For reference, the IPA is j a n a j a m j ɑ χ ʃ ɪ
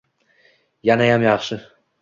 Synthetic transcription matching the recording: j a n a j a m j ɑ χ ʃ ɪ